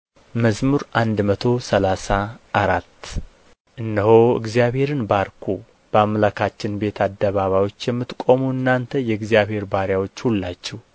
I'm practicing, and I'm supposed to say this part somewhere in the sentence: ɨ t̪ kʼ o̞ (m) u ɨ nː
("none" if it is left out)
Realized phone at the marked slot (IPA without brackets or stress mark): m